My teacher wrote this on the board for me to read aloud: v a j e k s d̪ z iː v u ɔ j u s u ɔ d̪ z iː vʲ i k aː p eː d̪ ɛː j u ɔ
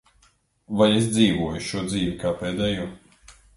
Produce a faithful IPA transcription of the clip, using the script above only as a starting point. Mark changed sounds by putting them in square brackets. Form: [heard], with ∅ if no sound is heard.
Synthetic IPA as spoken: v a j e [∅] s d̪ z iː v u ɔ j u [ʃ] u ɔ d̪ z iː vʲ i k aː p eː d̪ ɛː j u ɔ